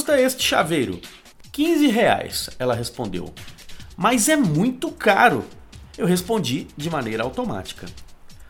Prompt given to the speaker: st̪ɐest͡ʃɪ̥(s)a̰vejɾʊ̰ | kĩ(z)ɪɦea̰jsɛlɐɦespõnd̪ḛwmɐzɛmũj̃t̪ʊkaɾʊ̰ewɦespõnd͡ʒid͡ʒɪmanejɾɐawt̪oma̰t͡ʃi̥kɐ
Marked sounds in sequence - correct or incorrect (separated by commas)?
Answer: incorrect, correct